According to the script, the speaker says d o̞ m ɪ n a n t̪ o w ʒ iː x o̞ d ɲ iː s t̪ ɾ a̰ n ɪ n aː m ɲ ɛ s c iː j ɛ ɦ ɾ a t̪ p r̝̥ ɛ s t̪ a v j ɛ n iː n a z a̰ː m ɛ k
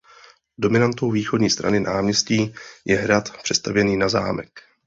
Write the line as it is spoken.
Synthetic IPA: d o̞ m ɪ n a n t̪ o w v iː x o̞ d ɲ iː s t̪ ɾ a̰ n ɪ n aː m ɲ ɛ s c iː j ɛ ɦ ɾ a t̪ p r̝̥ ɛ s t̪ a v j ɛ n iː n a z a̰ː m ɛ k